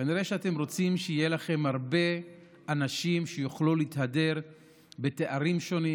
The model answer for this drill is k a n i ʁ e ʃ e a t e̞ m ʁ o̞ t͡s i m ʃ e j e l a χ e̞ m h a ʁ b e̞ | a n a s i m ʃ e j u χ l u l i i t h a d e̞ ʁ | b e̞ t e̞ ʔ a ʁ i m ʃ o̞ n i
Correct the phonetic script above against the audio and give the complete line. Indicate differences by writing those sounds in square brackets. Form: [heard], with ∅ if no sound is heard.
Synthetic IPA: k a n i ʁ e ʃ e a t e̞ m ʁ o̞ t͡s i m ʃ e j e l a χ e̞ m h a ʁ b e̞ | a n a [ʃ] i m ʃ e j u χ l u l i i t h a d e̞ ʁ | b e̞ t e̞ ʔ a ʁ i m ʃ o̞ n i